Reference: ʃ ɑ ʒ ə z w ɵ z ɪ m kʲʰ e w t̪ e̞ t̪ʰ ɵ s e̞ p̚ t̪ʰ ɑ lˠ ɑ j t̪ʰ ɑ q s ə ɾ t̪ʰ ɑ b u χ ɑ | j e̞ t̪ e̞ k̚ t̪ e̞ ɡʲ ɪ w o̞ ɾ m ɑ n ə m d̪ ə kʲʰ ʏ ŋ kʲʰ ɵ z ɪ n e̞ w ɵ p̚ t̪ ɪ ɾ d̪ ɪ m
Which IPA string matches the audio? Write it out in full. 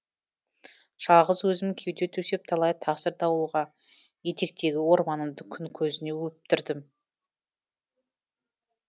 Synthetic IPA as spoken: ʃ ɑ ʁ ə z w ɵ z ɪ m kʲʰ e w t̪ e̞ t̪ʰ ɵ s e̞ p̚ t̪ʰ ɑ lˠ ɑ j t̪ʰ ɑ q s ə ɾ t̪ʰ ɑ w u ʁ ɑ | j e̞ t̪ e̞ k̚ t̪ e̞ ɡʲ ɪ w o̞ ɾ m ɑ n ə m d̪ ə kʲʰ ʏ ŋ kʲʰ ɵ z ɪ n e̞ w ɵ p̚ t̪ ɪ ɾ d̪ ɪ m